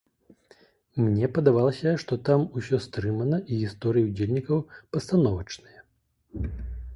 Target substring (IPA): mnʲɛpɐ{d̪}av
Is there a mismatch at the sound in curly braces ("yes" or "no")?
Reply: no